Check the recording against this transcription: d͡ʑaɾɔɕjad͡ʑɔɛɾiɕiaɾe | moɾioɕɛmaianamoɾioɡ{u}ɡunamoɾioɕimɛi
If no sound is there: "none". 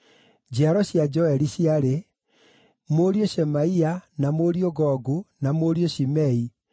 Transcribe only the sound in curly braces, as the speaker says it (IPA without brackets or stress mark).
ɔ